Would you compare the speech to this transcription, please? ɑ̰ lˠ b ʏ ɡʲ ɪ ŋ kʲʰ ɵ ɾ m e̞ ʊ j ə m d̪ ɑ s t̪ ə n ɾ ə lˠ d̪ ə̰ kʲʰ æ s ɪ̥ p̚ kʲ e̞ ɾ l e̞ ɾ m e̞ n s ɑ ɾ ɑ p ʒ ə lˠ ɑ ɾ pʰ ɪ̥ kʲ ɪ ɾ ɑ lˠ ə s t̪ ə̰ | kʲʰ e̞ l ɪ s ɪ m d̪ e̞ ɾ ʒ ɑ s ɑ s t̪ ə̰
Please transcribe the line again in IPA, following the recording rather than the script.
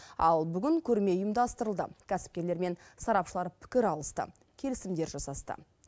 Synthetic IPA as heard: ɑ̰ lˠ b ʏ ɡʲ ɪ ŋ kʲʰ ɵ ɾ m e̞ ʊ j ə m d̪ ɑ s t̪ ə ɾ ə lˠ d̪ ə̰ kʲʰ æ s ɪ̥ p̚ kʲ e̞ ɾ l e̞ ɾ m e̞ n s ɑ ɾ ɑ p ʃ ə lˠ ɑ ɾ pʰ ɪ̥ kʲ ɪ ɾ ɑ lˠ ə s t̪ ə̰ | kʲʰ e̞ l ɪ s ɪ m d̪ e̞ ɾ ʒ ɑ s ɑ s t̪ ə̰